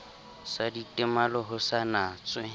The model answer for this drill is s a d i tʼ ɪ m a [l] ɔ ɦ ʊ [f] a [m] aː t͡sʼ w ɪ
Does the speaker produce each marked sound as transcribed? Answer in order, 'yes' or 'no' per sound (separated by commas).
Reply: yes, no, no